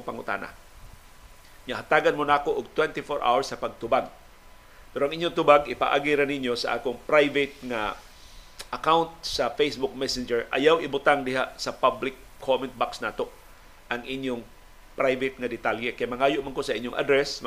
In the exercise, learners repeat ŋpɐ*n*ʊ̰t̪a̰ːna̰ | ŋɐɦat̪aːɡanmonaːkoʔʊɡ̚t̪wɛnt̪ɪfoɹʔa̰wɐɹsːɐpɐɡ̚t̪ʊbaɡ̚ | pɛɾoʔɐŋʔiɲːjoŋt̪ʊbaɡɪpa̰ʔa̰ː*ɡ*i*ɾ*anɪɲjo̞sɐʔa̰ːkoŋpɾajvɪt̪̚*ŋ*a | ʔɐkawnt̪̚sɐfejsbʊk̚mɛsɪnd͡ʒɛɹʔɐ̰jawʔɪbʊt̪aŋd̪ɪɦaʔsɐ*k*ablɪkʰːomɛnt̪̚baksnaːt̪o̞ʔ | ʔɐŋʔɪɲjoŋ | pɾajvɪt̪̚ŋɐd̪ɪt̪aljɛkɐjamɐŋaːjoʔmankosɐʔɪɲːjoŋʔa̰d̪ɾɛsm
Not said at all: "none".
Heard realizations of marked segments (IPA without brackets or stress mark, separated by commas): ŋ, ɡ, ɾ, ŋ, p